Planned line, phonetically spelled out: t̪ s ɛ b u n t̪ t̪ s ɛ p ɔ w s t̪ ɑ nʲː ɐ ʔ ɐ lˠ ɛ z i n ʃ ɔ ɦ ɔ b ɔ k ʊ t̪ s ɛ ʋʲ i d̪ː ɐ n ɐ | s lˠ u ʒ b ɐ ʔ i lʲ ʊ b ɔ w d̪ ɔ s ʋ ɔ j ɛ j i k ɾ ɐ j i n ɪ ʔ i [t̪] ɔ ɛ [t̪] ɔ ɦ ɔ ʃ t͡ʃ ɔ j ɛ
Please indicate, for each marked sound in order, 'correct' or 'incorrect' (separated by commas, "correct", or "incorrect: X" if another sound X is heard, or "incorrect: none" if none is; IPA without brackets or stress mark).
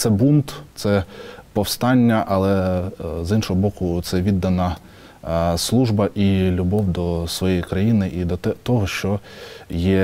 incorrect: d̪, correct